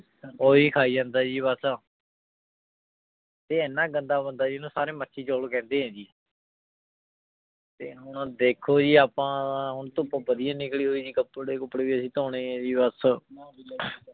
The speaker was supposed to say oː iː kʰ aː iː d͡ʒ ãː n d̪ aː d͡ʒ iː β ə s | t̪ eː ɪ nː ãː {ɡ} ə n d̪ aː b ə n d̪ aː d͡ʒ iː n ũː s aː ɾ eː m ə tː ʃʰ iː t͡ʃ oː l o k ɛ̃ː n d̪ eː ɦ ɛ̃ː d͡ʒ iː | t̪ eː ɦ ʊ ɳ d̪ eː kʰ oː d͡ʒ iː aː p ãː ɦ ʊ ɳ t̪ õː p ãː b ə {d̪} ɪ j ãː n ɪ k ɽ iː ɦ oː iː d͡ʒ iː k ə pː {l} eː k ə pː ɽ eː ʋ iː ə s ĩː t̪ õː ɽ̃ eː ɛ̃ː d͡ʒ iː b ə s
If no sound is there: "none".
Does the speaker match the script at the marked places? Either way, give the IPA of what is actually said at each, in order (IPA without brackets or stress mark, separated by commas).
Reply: ɡ, d̪, ɽ